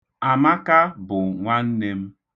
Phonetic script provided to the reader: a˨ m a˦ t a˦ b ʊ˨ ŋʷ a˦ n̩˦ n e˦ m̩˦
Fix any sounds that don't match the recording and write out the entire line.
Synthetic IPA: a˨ m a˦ k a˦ b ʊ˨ ŋʷ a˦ n̩˦ n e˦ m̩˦

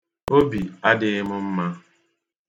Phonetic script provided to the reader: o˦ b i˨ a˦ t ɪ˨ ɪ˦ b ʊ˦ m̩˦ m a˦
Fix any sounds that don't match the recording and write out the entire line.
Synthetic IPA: o˦ b i˨ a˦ d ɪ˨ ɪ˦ m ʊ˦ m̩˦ m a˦

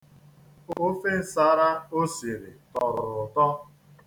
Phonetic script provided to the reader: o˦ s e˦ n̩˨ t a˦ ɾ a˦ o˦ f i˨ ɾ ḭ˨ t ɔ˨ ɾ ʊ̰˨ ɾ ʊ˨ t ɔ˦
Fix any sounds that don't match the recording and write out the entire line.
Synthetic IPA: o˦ f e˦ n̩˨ s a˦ ɾ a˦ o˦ s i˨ ɾ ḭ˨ t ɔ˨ ɾ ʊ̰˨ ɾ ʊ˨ t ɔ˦

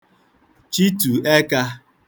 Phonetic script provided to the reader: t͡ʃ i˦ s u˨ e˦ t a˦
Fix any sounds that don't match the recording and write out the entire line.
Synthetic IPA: t͡ʃ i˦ t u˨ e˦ k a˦

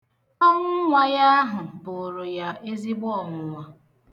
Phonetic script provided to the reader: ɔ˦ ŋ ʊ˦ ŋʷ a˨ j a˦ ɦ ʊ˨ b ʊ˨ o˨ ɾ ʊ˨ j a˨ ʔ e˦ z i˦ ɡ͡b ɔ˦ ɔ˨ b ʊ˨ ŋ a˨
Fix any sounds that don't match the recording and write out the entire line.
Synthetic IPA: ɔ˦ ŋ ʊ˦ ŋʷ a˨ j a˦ ɦ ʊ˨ b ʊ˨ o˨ ɾ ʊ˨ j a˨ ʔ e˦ z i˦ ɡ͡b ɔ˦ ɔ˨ m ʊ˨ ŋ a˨

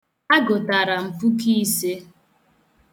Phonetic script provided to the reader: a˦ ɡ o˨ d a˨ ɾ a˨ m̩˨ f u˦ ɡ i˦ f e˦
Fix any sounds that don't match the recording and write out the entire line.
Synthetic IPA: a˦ ɡ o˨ t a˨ ɾ a˨ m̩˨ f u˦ k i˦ s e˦

